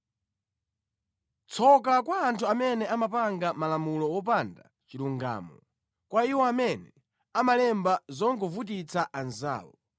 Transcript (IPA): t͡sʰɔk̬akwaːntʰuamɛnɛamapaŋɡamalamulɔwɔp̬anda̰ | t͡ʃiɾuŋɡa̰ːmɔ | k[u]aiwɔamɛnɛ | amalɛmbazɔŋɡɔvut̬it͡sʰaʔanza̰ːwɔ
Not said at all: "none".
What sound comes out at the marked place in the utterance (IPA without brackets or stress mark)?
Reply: w